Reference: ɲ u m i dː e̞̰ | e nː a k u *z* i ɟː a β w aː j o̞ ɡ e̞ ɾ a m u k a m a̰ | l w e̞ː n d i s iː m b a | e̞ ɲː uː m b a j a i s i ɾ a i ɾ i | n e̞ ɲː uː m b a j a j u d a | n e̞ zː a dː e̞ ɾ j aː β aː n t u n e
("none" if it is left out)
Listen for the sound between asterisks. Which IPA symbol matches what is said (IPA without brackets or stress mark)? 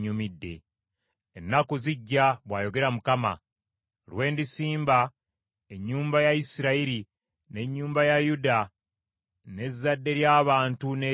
z